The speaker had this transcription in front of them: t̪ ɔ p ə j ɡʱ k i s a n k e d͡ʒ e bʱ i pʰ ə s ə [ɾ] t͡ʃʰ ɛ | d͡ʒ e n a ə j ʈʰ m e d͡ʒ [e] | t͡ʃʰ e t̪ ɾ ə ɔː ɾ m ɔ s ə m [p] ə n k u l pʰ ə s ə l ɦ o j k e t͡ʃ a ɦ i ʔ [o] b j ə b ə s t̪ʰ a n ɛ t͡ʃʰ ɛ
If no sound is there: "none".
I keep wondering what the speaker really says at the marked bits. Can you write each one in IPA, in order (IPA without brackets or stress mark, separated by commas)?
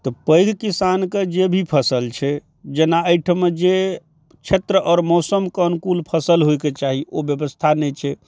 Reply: l, e, k, o